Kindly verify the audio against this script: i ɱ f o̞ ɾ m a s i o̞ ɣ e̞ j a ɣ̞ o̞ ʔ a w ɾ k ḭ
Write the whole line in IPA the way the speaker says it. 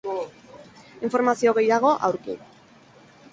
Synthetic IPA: i ɱ f o̞ ɾ m a s i o̞ ɣ e̞ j a ɣ̞ o̞ ʔ a w ɾ k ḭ